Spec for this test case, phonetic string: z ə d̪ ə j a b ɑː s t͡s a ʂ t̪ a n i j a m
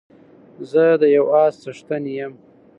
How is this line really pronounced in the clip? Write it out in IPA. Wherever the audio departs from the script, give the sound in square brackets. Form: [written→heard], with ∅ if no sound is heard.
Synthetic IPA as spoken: z ə d̪ ə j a [b→w] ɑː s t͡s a ʂ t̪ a n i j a m

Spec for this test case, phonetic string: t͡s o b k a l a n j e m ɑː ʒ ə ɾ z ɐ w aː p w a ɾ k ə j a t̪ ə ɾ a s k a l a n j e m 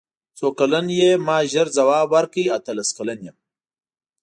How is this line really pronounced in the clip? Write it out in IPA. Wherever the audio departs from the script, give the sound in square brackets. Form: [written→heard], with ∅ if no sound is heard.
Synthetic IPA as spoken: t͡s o [b→∅] k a l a n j e m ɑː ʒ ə ɾ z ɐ w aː [p→b] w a ɾ k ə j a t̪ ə [ɾ→l] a s k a l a n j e m

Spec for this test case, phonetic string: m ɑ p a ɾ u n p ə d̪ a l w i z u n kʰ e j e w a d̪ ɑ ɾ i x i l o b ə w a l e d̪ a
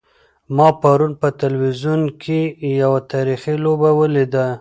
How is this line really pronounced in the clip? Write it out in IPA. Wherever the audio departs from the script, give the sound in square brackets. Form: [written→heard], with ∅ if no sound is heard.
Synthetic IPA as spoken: m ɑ p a ɾ u n p ə [d̪→t̪] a l w i z u n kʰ e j [e→a] w a [d̪→t̪] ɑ ɾ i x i l o b [ə→a] w [a→ə] l e d̪ a

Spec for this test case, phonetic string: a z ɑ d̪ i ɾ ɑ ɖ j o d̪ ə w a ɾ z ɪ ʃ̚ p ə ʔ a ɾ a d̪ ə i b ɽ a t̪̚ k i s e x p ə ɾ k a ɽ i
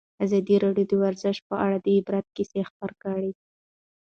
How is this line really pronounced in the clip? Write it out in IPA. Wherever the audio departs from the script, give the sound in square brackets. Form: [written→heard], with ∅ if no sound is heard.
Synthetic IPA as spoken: a z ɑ d̪ i ɾ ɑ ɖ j o d̪ ə w a ɾ z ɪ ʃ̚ p ə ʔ a [ɾ→ɽ] a d̪ ə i b [ɽ→ɾ] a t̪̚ k i s e x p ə ɾ k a ɽ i

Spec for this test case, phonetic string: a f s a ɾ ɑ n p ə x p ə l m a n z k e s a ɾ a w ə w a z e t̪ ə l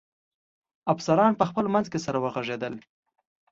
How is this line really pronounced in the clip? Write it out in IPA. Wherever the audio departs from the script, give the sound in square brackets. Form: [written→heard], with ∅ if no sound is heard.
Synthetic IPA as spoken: a f s a ɾ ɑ n p ə x p ə l m a n z k e s a ɾ a w ə [w→ɣ] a [z→ʐ] e [t̪→d̪] ə l

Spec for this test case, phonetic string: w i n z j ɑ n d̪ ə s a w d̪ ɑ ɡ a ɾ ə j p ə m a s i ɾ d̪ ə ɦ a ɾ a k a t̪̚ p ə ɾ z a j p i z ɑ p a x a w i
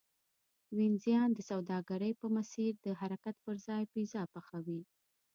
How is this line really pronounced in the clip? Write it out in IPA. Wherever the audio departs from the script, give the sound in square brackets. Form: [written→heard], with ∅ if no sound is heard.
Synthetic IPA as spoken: w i n z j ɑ n d̪ ə s a w d̪ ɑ ɡ a ɾ ə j p ə m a s i ɾ d̪ ə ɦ a ɾ a k a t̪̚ p ə ɾ z [a→ɑ] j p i z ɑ p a x a w i

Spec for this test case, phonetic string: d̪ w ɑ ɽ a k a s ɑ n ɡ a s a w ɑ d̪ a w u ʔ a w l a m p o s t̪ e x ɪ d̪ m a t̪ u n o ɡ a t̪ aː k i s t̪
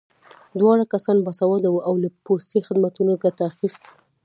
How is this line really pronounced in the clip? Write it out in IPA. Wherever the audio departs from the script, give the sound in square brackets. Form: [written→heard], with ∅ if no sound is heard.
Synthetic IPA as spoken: d̪ w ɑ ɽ a k a s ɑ n [ɡ→b] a s a w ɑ d̪ a w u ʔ a w l a [m→∅] p o s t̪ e x ɪ d̪ m a t̪ u n o ɡ a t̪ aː [k→x] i s t̪

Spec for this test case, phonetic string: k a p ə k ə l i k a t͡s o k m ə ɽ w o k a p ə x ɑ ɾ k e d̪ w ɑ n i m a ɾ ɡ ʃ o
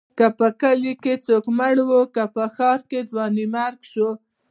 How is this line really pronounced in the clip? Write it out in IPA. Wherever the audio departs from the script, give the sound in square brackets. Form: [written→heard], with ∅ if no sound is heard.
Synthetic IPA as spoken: k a p ə k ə l i k [a→e] t͡s o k m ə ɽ w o k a p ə x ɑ ɾ k e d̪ w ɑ n i m a ɾ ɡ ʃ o

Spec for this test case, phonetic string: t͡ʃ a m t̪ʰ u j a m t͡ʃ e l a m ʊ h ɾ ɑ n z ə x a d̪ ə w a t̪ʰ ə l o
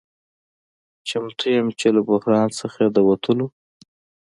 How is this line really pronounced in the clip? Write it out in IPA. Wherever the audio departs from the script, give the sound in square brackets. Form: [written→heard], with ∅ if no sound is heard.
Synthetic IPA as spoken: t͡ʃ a m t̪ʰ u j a m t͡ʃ e l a [m→b] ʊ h ɾ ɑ n [z→s] ə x a d̪ ə w a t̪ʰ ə l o

